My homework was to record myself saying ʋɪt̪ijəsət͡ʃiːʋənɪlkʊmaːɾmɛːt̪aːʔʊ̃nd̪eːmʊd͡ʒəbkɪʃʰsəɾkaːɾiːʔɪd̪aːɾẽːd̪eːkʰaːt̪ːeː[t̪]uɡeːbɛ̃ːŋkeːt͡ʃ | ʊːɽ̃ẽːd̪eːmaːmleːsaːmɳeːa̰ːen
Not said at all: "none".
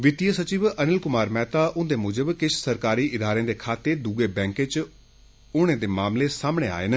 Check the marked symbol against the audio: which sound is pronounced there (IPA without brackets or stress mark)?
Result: d̪